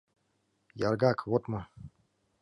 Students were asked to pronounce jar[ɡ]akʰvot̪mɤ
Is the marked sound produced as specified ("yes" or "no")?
yes